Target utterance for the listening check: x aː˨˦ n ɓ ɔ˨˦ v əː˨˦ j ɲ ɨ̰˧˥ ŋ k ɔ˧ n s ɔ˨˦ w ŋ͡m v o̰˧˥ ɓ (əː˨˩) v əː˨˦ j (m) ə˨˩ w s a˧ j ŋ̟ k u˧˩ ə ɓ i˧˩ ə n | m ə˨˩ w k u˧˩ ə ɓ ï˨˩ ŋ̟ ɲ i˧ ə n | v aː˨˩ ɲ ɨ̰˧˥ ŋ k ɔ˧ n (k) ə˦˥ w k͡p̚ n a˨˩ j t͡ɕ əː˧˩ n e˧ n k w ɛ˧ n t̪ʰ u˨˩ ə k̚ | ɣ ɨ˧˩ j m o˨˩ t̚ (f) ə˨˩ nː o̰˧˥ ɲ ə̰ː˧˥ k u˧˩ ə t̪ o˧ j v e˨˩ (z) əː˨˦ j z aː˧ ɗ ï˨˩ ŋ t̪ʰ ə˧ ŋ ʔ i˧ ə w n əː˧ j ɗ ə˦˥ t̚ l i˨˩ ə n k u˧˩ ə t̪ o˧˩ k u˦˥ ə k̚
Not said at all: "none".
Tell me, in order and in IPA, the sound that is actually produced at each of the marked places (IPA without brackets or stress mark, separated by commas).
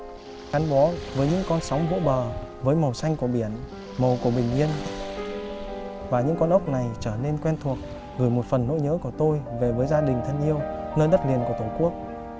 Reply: əː˨˩, m, ʔ, f, v